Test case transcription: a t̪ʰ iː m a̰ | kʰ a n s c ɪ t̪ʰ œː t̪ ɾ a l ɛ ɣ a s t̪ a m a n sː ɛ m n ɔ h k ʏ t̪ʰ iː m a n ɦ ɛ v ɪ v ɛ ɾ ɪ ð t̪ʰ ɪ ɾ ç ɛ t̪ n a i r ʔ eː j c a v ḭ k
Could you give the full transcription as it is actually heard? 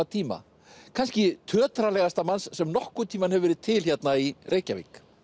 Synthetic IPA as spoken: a t̪ʰ iː m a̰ | kʰ a n s c ɪ t̪ʰ œː t̪ ɾ a l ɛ ɣ a s t̪ a m a n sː ɛ m n ɔ h k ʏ t̪ʰ iː m a n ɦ ɛ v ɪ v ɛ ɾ ɪ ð t̪ʰ ɪ l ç ɛ t̪ n a i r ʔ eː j c a v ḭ k